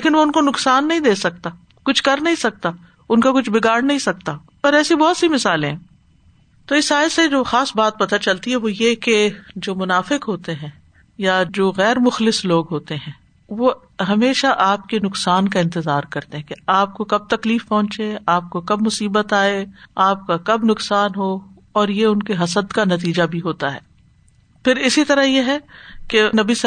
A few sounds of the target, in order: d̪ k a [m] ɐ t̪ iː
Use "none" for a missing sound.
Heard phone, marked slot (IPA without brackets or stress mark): n